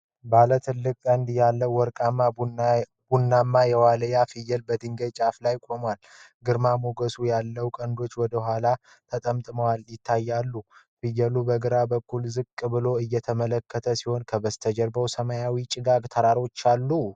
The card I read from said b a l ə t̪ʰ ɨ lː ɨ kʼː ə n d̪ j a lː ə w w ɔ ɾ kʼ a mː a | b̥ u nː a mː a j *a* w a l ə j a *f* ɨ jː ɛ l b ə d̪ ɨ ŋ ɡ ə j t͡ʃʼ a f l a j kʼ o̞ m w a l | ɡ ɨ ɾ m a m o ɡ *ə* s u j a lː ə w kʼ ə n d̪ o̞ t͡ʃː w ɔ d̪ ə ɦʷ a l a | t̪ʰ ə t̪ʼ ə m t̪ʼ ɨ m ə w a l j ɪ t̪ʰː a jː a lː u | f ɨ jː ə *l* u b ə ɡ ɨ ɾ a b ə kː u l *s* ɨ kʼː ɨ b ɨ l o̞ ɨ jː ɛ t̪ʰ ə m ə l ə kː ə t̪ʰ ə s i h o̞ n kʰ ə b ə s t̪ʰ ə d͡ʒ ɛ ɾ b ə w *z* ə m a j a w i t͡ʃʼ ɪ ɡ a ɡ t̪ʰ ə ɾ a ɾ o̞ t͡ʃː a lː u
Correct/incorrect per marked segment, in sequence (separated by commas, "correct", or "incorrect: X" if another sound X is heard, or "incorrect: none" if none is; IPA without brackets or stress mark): incorrect: ɛ, correct, correct, correct, incorrect: z, incorrect: s